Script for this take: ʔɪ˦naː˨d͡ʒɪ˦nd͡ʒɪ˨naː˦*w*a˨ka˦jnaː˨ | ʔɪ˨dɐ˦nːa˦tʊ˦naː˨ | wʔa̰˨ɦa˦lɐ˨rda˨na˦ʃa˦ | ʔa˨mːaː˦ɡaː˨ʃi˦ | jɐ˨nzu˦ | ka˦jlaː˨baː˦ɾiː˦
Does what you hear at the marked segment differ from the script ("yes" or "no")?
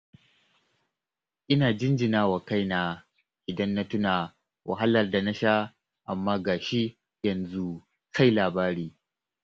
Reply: no